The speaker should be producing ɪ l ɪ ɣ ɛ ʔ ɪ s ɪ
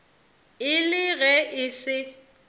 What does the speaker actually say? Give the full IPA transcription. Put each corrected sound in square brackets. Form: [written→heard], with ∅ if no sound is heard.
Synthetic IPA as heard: ɪ l ɪ ɣ ɛ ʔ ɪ s ɪ